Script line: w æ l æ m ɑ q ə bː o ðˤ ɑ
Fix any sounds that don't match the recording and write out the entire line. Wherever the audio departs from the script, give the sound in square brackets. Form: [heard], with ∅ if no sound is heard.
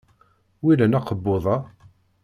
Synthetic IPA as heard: w [i] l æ [n] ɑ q ə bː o ðˤ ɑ